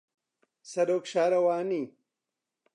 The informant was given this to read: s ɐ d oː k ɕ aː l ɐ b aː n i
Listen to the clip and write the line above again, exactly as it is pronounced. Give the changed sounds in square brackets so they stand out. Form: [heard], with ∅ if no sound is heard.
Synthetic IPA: s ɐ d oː k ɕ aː [ɾ] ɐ [w] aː n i